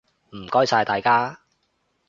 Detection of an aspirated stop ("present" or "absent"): absent